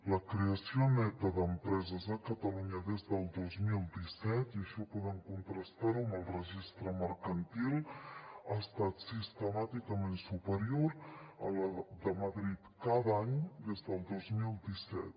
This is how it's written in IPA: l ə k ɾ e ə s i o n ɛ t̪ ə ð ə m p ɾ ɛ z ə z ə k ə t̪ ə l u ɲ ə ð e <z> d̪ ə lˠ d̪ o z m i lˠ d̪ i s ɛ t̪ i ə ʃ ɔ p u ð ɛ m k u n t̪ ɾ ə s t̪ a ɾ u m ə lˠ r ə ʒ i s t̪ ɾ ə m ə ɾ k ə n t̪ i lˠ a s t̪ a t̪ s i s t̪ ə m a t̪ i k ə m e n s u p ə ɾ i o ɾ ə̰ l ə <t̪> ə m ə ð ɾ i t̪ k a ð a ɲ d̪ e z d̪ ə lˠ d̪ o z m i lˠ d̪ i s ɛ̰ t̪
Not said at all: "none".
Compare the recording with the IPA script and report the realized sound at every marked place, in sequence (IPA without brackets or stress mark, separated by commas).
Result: z, d̪